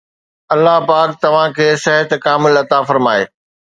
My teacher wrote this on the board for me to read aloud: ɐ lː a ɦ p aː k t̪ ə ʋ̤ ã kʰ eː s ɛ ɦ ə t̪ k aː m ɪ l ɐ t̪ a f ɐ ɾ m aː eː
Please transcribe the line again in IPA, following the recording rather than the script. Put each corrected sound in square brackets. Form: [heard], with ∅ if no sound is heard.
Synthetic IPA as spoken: ɐ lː a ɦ p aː k t̪ [ɐ] ʋ̤ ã kʰ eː s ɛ ɦ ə t̪ k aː m ɪ l ɐ t̪ a f ɐ ɾ m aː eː